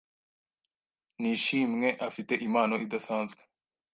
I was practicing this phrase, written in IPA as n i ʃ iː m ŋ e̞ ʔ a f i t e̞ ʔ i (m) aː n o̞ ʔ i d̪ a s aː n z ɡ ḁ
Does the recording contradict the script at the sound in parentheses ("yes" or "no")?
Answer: no